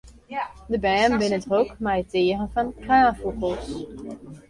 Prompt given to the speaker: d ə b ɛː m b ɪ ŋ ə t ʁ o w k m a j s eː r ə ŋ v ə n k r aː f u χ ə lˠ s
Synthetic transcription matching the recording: d ə b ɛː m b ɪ n ə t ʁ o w k m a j t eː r ə n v ɑ n k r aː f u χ ə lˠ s